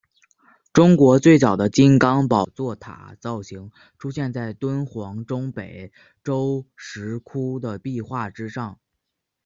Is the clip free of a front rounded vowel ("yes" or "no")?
yes